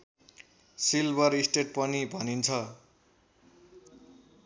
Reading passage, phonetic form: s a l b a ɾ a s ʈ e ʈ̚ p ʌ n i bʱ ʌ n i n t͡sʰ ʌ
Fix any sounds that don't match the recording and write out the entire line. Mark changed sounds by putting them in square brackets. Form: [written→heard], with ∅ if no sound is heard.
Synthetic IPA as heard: s [a→i] l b [a→ʌ] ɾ [a→i] s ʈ e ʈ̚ p ʌ n i bʱ ʌ n i n t͡sʰ ʌ